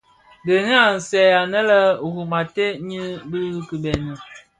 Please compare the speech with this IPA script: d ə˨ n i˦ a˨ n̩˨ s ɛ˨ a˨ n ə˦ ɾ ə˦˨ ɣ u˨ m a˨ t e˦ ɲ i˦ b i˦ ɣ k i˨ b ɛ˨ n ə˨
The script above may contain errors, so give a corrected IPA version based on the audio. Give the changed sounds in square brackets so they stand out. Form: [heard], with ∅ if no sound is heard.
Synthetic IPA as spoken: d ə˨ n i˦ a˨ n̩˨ s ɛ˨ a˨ n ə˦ [l] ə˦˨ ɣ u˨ m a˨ t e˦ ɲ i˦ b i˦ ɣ k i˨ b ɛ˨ n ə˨